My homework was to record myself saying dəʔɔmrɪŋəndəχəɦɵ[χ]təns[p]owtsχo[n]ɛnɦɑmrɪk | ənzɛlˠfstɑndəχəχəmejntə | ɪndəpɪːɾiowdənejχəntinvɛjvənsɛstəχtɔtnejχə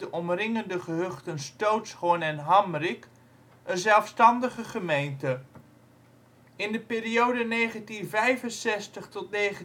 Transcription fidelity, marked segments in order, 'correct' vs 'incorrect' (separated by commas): correct, incorrect, correct